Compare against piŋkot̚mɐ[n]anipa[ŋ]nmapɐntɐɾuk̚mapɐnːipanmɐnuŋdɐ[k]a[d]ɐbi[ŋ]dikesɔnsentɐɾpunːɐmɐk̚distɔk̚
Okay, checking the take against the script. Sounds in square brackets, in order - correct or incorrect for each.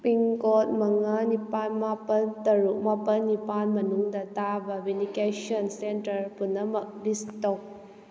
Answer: incorrect: ŋ, incorrect: none, incorrect: t, incorrect: b, incorrect: n

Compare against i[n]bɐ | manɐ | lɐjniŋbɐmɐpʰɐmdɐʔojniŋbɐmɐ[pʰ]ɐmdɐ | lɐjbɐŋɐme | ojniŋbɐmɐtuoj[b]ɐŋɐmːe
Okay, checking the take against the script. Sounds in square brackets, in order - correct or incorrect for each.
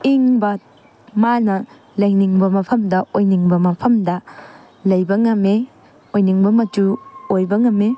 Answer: incorrect: ŋ, correct, correct

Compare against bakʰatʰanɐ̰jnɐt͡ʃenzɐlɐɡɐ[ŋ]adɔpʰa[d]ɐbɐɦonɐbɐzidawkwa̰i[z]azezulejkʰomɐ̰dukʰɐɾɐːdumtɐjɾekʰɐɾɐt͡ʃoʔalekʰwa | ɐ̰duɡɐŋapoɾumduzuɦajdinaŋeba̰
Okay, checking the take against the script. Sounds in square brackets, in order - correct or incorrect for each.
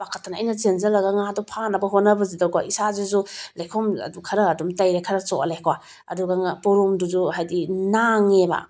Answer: correct, incorrect: n, incorrect: s

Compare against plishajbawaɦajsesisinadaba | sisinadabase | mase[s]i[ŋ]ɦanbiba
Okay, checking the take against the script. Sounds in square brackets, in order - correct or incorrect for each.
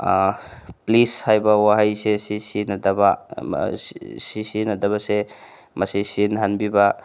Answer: correct, incorrect: n

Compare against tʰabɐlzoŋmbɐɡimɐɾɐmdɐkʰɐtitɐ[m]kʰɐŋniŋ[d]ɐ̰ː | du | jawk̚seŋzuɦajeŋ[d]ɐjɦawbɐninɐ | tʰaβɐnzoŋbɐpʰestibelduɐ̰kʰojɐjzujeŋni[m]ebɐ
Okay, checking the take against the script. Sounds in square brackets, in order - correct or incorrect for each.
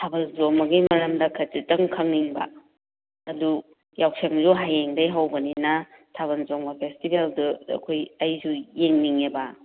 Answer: incorrect: ŋ, incorrect: b, correct, incorrect: ŋ

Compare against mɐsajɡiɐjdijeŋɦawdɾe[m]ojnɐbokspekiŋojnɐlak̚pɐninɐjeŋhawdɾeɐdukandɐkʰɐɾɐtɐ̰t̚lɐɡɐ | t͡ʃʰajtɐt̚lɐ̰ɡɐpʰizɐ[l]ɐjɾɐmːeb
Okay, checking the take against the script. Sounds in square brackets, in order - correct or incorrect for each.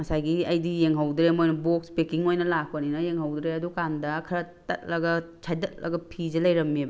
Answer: correct, correct

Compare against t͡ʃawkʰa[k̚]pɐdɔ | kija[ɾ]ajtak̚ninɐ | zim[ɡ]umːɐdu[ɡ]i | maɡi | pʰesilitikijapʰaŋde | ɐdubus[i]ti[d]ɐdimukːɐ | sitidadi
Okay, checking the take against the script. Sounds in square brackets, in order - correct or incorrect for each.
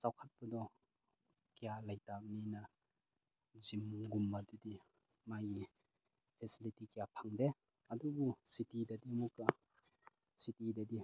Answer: incorrect: t̚, incorrect: l, correct, incorrect: d, correct, correct

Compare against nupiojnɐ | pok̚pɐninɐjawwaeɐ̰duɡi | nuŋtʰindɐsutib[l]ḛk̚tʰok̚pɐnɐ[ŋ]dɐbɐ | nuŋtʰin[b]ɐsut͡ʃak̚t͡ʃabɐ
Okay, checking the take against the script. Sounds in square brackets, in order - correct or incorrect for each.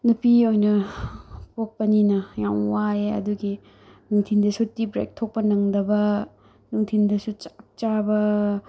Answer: incorrect: ɾ, correct, incorrect: d

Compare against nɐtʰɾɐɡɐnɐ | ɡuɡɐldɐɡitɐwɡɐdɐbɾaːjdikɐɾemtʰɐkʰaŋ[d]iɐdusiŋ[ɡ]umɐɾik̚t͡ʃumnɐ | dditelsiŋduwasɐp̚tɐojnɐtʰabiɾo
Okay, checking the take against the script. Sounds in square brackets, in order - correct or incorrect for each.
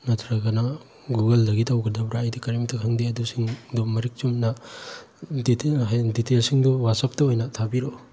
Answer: correct, incorrect: d

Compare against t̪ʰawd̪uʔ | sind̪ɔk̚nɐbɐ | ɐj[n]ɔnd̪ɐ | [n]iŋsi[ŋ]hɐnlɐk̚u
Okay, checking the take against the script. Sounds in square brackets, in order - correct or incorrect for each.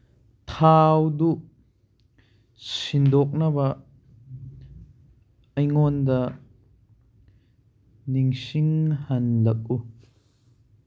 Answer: incorrect: ŋ, correct, correct

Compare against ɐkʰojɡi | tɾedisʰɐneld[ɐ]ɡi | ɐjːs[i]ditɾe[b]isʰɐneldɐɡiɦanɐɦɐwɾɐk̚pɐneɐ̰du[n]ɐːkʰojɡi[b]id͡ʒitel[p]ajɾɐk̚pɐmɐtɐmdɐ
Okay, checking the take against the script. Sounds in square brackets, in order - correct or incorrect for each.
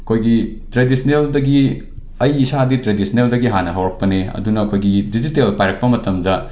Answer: correct, incorrect: a, incorrect: d, correct, incorrect: d, correct

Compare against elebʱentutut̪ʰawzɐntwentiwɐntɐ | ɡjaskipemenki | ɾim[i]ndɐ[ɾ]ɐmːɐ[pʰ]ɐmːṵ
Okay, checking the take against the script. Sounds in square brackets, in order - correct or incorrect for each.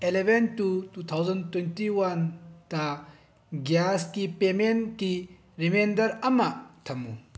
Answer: incorrect: e, correct, incorrect: tʰ

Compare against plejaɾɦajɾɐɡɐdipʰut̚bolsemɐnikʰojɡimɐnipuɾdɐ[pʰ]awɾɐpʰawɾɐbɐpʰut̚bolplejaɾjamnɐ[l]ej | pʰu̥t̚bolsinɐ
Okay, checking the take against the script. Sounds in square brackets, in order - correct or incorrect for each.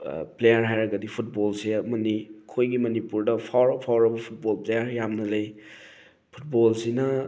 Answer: correct, correct

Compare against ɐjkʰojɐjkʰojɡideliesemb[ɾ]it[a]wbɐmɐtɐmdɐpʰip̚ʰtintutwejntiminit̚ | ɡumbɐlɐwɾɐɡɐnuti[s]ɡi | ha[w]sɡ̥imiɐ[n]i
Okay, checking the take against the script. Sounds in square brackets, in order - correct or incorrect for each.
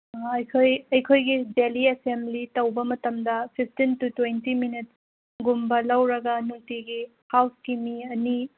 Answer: incorrect: l, incorrect: ɐ, incorrect: none, correct, correct

